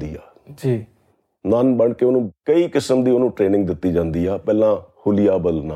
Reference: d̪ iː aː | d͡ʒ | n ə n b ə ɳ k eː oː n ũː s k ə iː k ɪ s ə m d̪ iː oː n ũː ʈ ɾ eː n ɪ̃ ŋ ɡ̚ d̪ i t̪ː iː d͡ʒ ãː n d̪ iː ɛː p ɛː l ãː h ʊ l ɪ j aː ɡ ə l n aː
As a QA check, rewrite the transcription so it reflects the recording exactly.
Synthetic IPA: d̪ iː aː | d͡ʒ | n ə n b ə ɳ k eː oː n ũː k ə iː k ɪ s ə m d̪ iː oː n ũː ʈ ɾ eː n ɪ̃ ŋ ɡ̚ d̪ ɪ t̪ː iː d͡ʒ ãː n d̪ iː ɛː p ɛː l ãː h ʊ l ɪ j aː b ə l n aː